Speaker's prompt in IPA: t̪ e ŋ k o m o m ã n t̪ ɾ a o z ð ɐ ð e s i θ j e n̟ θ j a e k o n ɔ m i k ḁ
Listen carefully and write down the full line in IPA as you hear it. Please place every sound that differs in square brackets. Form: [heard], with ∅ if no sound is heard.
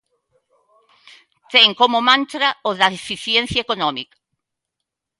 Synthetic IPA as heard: t̪ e ŋ k o m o m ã n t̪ ɾ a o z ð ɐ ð e [f] i θ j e n̟ θ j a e k o n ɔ m i k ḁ